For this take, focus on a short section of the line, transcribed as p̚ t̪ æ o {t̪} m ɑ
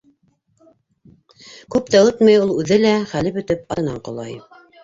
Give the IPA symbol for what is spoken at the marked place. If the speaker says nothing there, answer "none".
t̪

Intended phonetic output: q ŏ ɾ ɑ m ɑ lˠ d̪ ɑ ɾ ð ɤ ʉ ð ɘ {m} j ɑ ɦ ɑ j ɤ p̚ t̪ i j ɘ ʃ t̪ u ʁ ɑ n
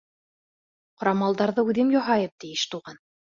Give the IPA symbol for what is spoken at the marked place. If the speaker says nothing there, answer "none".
m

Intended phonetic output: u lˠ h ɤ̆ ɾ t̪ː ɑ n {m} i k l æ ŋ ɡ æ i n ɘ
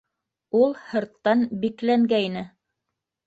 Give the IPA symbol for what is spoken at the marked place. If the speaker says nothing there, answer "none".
b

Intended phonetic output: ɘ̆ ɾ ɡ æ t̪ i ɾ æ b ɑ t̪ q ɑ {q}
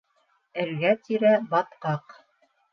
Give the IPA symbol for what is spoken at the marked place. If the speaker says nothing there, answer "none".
q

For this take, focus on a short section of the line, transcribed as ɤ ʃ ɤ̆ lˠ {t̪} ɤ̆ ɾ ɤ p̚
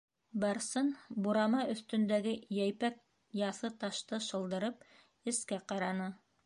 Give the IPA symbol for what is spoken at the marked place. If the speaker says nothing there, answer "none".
d̪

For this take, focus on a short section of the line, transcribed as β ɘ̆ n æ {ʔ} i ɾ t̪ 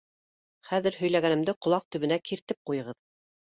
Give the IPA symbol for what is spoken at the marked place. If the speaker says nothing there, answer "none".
k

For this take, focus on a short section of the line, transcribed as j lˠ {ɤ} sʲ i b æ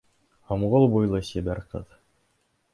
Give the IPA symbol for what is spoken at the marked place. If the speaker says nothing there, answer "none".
ɤ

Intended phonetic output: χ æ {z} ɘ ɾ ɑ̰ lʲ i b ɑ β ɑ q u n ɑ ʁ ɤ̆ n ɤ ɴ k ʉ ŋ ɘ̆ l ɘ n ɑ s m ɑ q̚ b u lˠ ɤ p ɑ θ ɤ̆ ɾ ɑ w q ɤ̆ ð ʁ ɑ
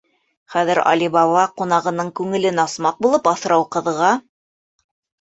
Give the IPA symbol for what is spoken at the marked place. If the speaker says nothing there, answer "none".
ð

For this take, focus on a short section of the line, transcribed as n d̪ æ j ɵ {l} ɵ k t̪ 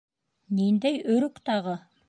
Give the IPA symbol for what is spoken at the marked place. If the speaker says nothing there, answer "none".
ɾ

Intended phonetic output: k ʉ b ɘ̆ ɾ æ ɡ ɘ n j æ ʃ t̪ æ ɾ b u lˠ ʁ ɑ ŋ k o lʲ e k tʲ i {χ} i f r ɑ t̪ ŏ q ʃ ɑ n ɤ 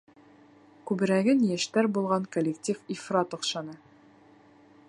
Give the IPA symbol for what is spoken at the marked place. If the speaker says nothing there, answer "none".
f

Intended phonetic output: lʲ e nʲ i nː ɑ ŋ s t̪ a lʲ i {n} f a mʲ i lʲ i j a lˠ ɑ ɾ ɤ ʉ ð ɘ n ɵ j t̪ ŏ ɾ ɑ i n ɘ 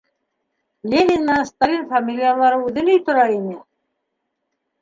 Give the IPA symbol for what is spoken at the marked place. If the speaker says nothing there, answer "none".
n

